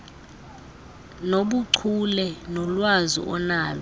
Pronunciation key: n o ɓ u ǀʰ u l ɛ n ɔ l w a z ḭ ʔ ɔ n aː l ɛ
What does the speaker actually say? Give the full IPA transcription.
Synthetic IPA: n o ɓ u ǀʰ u l ɛ n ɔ l w a z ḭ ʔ ɔ n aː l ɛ

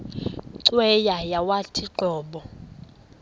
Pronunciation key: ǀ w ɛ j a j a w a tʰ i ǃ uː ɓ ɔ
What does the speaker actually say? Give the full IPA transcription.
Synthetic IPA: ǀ w ɛ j a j a w a tʰ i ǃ ɔː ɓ ɔ

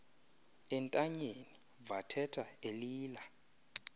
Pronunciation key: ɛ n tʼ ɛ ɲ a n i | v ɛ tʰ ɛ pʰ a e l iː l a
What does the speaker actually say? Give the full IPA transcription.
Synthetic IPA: ɛ n tʼ a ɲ e n i | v a tʰ ɛ tʰ a e l iː l a

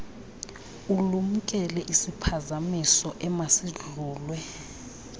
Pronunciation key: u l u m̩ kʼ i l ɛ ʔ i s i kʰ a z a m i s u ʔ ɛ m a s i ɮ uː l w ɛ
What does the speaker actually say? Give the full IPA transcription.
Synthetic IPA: u l u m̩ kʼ ɛ l ɛ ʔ i s i pʰ a z a m i s ɔ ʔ ɛ m a s i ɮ uː l w ɛ

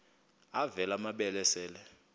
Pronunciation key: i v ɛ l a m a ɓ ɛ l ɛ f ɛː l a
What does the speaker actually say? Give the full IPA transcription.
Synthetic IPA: a v ɛ l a m a ɓ ɛ l ɛ s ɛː l ɛ

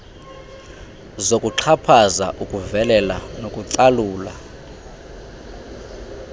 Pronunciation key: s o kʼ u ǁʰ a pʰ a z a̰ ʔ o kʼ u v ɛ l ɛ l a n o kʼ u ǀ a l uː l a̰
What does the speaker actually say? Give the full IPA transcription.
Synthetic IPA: z o kʼ u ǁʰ a pʰ a z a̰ ʔ u kʼ u v ɛ l ɛ l a n o kʼ u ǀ a l uː l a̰

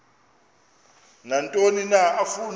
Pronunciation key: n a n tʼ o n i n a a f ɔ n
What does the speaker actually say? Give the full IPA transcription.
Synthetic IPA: n a n tʼ o n i n a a f u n

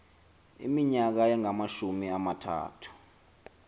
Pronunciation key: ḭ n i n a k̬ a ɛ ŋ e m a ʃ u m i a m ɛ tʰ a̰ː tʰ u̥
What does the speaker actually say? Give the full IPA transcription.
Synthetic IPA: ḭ m i ɲ a k̬ a ɛ ŋ a m a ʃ u m i a m a tʰ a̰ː tʰ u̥

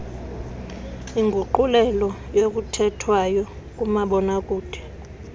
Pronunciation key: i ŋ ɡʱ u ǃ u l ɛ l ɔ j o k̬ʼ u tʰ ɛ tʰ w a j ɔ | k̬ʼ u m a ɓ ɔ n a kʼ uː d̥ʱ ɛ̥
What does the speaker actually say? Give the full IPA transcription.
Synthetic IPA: i ŋ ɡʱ u ǃ u l ɛ l ɔ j o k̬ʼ u tʰ ɛ tʰ w a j ɔ | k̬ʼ u m a ɓ ɔ n a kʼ uː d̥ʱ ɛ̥

